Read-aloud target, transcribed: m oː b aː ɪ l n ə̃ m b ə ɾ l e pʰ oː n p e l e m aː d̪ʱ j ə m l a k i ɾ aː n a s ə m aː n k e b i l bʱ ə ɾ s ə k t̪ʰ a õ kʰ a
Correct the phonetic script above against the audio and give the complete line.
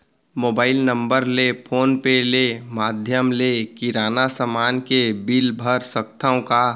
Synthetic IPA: m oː b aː ɪ l n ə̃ m b ə ɾ l e pʰ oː n p e l e m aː d̪ʱ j ə m l e k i ɾ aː n a s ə m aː n k e b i l bʱ ə ɾ s ə k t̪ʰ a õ k a